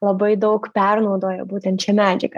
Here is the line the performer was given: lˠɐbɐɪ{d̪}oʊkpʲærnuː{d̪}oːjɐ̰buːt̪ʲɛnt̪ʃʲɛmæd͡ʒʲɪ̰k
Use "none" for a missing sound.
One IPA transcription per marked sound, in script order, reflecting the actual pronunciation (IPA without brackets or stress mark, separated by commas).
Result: d̪, d̪